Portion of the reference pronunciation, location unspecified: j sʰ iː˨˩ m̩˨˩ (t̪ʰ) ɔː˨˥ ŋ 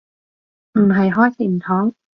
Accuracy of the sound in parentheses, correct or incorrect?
correct